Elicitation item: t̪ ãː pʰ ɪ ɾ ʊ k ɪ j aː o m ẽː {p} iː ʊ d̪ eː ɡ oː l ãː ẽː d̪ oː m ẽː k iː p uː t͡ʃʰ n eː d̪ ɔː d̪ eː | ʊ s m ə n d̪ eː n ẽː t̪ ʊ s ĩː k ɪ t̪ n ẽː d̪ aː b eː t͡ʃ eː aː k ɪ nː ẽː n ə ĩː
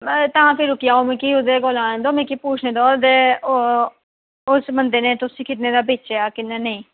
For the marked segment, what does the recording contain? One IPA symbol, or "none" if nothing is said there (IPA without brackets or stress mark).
k